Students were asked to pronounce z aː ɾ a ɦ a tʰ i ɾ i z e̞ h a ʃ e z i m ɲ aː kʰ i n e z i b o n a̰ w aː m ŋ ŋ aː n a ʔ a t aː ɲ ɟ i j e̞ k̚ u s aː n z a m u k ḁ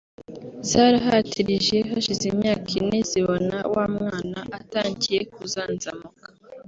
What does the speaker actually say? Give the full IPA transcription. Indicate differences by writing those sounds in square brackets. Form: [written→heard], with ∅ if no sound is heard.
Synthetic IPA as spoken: z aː ɾ a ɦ a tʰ i ɾ i [z→ʒ] e̞ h a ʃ [e→i] z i m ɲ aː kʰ i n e z i [b→β] o n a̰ w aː m ŋ ŋ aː n a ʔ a t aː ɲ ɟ i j e̞ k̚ u [s→z] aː n z a m u k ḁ